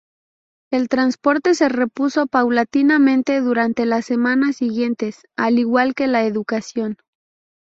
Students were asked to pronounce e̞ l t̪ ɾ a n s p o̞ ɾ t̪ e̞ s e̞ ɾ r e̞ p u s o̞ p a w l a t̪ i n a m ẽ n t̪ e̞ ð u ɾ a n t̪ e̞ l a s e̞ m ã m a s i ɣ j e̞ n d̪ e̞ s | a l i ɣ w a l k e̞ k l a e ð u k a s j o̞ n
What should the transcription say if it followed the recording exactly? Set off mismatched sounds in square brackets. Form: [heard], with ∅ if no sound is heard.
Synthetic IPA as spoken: e̞ l t̪ ɾ a n s p o̞ ɾ t̪ e̞ s e̞ [∅] r e̞ p u s o̞ p a w l a t̪ i n a m ẽ n t̪ e̞ ð u ɾ a n t̪ e̞ l a s e̞ m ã [n] a s i ɣ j e̞ n [t̪] e̞ s | a l i ɣ w a l k e̞ [∅] l a e ð u k a s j o̞ n